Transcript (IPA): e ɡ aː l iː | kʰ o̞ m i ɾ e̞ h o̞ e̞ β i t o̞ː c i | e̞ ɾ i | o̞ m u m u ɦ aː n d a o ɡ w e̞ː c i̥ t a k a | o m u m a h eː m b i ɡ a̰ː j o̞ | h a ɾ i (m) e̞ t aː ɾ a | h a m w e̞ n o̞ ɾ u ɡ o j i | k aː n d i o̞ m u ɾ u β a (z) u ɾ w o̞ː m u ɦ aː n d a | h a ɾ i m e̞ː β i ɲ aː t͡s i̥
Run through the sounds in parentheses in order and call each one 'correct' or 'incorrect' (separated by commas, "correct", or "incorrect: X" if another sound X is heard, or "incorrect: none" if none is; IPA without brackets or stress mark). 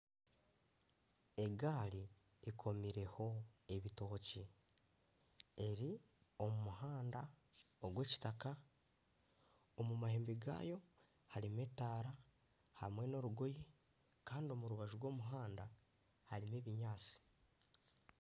correct, incorrect: ʒ